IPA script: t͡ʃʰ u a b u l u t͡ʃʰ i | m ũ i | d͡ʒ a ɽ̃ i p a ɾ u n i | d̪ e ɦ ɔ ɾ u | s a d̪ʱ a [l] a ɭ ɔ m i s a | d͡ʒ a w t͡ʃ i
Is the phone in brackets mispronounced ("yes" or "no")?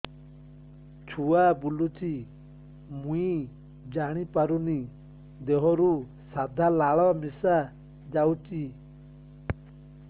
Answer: no